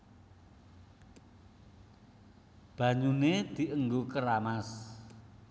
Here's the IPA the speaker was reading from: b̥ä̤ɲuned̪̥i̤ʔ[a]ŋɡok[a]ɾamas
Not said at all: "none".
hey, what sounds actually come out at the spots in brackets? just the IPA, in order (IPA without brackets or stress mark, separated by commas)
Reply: ə, ə